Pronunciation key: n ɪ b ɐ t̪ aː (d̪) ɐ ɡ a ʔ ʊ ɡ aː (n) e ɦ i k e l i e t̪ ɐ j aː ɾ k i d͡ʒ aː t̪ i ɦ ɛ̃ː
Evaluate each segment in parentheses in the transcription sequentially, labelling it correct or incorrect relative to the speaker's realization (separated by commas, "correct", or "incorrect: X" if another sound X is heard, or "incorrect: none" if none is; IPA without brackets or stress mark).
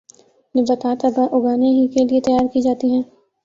incorrect: t̪, correct